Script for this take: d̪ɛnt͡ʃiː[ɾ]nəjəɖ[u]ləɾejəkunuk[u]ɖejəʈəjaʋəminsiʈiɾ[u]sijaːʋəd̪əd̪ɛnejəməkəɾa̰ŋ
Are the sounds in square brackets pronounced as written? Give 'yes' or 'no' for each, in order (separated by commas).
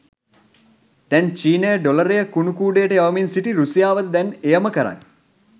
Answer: no, no, no, yes